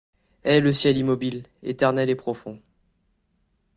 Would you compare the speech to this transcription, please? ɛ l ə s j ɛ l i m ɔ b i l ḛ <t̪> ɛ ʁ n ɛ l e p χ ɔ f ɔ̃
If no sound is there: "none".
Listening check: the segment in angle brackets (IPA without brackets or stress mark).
t̪